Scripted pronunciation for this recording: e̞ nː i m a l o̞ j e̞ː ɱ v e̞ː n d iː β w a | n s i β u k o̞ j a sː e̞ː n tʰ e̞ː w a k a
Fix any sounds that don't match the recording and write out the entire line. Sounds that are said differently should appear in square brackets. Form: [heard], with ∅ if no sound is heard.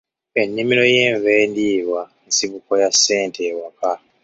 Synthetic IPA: e̞ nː i m [i] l o̞ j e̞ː ɱ v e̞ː n d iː β w a | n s i β u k o̞ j a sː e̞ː n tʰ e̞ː w a k a